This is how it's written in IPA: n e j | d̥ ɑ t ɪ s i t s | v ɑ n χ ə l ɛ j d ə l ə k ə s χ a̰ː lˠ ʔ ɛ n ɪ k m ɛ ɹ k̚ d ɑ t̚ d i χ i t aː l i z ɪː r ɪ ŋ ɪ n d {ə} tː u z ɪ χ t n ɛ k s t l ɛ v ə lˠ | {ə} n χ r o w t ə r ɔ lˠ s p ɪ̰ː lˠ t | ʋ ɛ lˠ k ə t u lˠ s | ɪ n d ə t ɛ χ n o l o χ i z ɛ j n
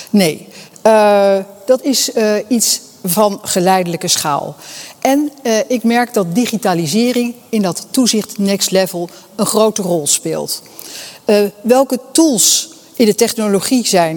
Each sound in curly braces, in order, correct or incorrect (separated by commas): incorrect, correct